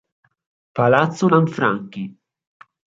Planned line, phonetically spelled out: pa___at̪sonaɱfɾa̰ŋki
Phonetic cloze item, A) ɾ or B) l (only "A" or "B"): B